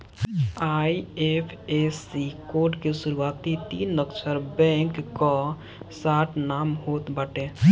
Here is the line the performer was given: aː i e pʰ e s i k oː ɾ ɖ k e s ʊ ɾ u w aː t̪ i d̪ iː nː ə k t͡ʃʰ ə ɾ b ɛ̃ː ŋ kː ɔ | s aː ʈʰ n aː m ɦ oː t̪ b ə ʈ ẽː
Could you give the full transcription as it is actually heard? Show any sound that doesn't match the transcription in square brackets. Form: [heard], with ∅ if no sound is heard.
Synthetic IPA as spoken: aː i e pʰ e s i k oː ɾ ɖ k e s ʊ ɾ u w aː t̪ i [t̪] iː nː ə k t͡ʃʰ ə ɾ b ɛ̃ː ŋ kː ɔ | s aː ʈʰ n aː m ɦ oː t̪ b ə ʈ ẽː